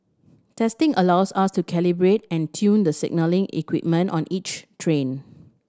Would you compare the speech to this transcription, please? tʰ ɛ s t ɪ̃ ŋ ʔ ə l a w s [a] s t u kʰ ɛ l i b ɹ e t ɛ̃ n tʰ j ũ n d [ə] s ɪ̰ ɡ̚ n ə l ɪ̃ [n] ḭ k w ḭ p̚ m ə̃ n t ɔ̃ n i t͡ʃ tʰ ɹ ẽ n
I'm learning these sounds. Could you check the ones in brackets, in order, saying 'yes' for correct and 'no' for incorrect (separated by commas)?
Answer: yes, yes, no